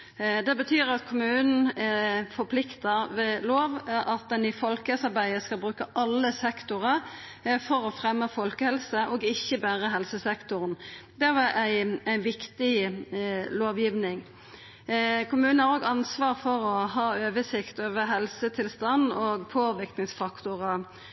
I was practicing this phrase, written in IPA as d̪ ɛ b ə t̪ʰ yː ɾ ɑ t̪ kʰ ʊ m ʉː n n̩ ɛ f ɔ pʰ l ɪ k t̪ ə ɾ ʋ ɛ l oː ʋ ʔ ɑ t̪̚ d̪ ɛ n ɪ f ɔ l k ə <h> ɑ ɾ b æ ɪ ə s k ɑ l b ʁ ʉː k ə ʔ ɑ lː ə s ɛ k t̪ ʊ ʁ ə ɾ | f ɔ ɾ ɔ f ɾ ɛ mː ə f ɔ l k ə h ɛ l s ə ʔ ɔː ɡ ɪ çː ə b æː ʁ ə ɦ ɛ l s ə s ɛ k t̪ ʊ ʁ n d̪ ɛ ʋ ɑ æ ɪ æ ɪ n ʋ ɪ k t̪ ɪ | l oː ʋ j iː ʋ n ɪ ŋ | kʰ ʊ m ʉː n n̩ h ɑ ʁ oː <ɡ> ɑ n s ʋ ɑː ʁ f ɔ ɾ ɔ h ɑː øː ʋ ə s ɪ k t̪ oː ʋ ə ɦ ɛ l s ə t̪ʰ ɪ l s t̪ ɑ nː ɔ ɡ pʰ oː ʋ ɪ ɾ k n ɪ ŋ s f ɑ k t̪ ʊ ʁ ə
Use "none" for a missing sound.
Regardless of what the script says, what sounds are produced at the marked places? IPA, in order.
s, ɡ

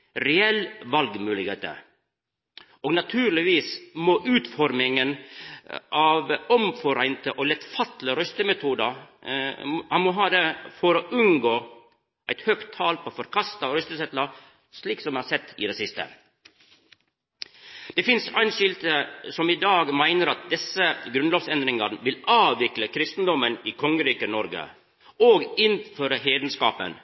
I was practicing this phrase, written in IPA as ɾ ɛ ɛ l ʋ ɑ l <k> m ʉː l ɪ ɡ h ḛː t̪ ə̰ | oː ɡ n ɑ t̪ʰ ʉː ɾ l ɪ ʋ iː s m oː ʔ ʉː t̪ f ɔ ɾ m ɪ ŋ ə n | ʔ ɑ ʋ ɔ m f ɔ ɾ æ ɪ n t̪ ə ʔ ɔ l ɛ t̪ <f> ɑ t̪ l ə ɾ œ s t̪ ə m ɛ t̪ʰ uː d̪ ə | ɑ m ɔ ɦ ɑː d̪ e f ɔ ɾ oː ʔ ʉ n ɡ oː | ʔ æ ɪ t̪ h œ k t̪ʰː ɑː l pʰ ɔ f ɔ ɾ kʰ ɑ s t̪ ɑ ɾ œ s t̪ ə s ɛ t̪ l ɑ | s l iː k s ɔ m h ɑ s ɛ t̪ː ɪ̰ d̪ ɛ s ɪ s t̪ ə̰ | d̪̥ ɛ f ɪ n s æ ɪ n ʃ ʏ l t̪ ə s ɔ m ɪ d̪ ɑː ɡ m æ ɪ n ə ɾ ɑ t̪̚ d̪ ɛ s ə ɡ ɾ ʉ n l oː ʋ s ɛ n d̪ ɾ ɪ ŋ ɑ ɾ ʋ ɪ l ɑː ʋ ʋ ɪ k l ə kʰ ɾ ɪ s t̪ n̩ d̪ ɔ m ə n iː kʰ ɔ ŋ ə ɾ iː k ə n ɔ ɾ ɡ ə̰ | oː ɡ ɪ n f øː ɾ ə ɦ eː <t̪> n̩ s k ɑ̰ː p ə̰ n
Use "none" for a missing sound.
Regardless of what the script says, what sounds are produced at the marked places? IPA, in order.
ɡ, f, d̪

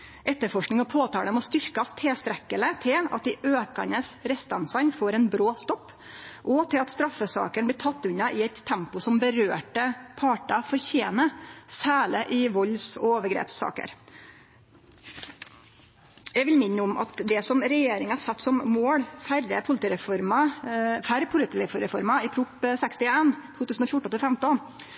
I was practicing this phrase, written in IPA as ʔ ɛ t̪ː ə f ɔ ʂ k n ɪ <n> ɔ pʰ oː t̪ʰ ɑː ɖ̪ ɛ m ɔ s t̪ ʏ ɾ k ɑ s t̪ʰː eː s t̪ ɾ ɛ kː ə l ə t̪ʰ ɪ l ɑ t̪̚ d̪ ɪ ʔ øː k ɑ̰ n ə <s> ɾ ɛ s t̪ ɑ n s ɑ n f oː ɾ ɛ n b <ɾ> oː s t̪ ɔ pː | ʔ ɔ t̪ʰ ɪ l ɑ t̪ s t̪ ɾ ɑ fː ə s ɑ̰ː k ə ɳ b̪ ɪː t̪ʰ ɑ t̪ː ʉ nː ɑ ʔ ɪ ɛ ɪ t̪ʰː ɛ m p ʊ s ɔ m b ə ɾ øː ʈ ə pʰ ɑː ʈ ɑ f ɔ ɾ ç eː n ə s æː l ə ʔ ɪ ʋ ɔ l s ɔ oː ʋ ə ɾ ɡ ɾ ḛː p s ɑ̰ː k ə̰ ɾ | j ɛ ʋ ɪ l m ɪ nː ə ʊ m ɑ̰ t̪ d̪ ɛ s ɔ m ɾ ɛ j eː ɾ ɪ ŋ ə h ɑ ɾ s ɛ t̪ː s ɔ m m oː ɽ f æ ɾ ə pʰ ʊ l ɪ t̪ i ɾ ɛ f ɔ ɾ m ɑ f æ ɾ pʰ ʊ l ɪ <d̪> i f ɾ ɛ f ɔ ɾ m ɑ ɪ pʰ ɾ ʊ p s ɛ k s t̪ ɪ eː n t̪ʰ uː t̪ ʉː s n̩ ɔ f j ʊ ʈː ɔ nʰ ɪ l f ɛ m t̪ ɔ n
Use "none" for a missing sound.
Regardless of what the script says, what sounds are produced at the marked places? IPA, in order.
ŋ, s, ɾ, t̪

